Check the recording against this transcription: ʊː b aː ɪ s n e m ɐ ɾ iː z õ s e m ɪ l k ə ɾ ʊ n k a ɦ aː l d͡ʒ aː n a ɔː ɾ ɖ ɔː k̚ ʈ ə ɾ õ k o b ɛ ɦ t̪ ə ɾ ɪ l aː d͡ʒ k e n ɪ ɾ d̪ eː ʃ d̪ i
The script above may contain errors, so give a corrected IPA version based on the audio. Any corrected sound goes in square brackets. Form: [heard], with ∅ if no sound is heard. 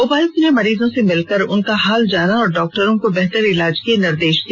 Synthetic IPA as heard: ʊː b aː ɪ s n e m ɐ ɾ iː z õ s e m ɪ l k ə ɾ ʊ n k a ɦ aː l d͡ʒ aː n a ɔː ɾ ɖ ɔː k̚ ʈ ə ɾ õ k o b ɛ ɦ t̪ ə ɾ ɪ l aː d͡ʒ k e n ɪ ɾ d̪ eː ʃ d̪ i